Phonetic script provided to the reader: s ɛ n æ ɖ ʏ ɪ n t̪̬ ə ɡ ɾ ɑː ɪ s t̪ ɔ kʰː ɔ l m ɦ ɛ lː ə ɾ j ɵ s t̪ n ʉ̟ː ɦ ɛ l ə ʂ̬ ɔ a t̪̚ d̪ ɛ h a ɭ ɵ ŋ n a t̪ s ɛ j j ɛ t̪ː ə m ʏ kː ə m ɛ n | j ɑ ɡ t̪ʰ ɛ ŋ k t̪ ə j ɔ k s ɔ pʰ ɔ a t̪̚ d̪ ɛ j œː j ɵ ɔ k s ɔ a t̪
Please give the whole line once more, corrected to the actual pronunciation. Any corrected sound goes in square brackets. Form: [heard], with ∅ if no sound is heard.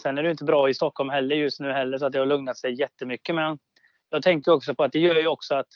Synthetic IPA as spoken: s ɛ n æ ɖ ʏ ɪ n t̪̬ ə [b] ɾ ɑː ɪ s t̪ ɔ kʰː ɔ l m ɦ ɛ lː ə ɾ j ɵ s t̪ n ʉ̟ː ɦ ɛ [lː] ə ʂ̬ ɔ a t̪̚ d̪ ɛ h a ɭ ɵ ŋ n a t̪ s ɛ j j ɛ t̪ː ə m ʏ kː ə m ɛ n | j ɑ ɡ t̪ʰ ɛ ŋ k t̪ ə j ɔ k s ɔ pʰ ɔ a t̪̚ d̪ ɛ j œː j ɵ ɔ k s ɔ a t̪